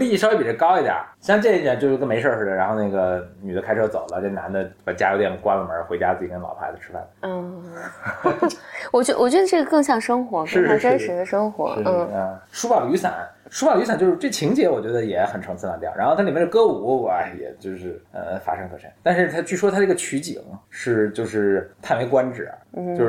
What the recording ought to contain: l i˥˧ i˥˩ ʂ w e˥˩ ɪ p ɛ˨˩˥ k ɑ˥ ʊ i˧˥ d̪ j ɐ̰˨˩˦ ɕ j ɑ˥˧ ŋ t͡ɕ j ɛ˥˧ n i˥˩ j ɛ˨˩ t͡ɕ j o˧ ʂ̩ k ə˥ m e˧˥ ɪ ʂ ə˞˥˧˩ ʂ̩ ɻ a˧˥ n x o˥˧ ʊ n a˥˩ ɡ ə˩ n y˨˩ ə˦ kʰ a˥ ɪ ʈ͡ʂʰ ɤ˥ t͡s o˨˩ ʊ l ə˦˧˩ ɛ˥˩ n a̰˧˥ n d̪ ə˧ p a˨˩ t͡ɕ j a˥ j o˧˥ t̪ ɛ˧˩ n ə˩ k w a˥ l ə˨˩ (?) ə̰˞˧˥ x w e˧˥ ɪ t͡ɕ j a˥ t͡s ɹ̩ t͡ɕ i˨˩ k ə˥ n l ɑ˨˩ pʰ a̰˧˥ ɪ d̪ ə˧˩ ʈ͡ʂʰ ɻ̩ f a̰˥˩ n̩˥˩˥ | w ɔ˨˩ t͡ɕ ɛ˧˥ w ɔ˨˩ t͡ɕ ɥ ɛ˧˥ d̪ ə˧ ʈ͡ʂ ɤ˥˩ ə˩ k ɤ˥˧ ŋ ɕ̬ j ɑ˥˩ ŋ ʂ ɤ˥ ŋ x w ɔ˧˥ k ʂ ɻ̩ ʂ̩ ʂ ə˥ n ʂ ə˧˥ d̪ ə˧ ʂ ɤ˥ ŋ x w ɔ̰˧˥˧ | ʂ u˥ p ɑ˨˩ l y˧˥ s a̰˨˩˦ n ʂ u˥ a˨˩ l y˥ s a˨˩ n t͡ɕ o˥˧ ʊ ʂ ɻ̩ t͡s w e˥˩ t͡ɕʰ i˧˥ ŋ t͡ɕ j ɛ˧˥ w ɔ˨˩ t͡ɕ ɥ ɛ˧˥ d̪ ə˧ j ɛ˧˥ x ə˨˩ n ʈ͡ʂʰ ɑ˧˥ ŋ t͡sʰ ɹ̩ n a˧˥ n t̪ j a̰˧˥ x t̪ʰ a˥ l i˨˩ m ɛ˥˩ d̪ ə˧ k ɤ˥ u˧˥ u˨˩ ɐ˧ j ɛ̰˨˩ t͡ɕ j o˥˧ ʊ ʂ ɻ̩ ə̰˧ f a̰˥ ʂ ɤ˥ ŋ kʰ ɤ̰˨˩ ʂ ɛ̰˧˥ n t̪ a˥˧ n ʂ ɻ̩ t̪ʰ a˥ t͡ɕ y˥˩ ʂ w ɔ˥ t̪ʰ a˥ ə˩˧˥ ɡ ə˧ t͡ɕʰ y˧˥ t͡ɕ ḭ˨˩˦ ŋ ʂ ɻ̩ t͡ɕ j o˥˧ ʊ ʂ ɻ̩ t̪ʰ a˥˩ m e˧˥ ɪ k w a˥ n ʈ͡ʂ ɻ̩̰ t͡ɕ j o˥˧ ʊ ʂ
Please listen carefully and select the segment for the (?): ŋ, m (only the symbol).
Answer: m